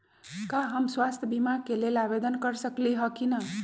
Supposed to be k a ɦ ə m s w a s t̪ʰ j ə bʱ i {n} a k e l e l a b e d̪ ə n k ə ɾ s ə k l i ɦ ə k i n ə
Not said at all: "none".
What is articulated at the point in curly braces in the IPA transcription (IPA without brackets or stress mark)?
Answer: m